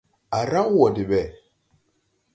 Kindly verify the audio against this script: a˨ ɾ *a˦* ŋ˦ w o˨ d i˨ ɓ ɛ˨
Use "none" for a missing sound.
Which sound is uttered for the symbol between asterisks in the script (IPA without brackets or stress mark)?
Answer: a˦